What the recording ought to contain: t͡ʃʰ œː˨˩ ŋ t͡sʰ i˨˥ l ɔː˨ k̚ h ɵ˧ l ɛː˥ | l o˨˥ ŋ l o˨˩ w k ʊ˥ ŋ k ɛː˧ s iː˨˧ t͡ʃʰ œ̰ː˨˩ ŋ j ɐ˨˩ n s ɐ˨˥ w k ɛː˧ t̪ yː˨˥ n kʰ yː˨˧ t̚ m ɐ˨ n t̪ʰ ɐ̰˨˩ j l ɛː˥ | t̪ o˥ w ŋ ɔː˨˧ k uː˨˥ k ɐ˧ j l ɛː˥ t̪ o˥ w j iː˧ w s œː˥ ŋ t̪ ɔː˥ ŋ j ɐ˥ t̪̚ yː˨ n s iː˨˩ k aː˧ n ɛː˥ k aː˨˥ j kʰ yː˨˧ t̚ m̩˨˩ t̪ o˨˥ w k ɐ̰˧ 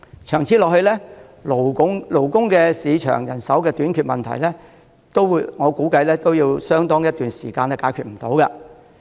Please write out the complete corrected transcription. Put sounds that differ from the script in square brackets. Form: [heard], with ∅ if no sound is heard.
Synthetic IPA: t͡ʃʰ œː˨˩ ŋ t͡sʰ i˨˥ l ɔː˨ k̚ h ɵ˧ l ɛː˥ | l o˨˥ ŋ l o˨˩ w k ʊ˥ ŋ k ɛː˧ s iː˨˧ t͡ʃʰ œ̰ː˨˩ ŋ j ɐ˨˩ n s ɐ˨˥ w k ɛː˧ t̪ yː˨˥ n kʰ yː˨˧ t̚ m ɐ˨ n t̪ʰ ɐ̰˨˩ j l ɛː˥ | t̪ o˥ w ŋ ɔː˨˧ k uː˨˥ k ɐ˧ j l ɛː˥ t̪ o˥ w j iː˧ w s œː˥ ŋ t̪ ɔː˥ ŋ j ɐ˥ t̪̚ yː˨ n s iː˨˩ k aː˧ n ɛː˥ k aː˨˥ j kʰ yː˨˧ t̚ m̩˨˩ t̪ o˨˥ w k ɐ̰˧